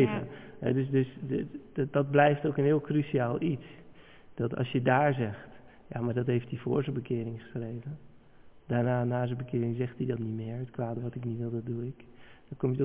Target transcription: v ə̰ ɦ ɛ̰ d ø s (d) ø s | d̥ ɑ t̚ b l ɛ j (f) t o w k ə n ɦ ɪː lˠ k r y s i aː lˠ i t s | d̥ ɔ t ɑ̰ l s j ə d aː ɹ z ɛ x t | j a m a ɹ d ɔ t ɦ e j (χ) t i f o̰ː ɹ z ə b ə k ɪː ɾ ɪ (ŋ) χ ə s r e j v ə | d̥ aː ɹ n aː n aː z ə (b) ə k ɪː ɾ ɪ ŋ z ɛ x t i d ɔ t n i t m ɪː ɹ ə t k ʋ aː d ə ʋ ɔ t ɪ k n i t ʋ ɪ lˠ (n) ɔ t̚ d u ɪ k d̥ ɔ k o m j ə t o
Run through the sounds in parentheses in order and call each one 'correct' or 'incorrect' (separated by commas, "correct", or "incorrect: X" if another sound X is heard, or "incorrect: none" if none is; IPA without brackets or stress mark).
correct, correct, incorrect: f, correct, correct, incorrect: d